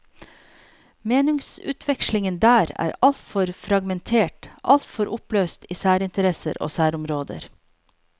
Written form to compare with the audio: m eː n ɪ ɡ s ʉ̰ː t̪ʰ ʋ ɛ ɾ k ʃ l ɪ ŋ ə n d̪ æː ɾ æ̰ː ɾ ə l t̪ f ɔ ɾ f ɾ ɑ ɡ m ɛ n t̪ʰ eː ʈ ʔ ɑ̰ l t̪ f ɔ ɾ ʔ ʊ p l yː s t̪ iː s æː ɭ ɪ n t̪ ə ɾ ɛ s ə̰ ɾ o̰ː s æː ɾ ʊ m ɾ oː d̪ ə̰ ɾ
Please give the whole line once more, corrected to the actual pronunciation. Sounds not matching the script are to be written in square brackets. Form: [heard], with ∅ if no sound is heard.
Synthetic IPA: m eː n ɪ [ŋ] s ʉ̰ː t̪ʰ ʋ ɛ [∅] k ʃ l ɪ ŋ ə n d̪ æː ɾ æ̰ː ɾ [ɑ] l t̪ f ɔ ɾ f ɾ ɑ ɡ m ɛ n t̪ʰ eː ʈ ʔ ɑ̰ l t̪ f ɔ ɾ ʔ ʊ p l [øː] s t̪ iː s æː [ɾ] ɪ n t̪ ə ɾ ɛ s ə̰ ɾ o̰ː s æː ɾ ʊ m ɾ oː d̪ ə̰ ɾ